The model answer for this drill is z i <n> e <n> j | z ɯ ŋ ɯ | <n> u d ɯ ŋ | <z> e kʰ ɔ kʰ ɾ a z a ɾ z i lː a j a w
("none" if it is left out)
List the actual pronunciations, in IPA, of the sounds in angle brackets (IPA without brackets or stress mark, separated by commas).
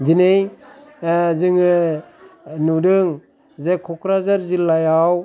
n, none, n, z